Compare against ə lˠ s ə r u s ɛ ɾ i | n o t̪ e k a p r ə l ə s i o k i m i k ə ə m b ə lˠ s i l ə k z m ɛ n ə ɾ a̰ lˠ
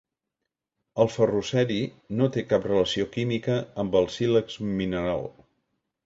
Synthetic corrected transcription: ə lˠ f ə r u s ɛ ɾ i | n o t̪ e k a p r ə l ə s i o k i m i k ə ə m b ə lˠ s i l ə k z m i n ə ɾ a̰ lˠ